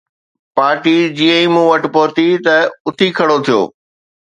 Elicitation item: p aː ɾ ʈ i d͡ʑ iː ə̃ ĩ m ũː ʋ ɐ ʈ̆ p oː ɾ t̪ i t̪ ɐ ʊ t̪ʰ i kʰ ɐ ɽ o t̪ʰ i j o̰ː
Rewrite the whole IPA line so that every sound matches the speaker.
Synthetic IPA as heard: p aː ɾ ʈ i d͡ʑ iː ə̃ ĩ m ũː ʋ ɐ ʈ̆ p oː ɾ t̪ i t̪ ɐ ʊ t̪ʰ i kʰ ɐ ɽ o t̪ʰ i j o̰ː